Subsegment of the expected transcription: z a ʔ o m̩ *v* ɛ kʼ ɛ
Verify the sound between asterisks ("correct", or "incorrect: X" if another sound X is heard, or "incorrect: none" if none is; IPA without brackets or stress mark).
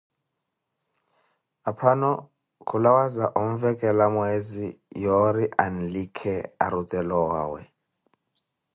correct